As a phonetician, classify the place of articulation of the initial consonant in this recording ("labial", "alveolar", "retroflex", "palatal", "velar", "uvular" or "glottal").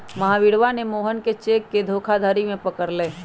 labial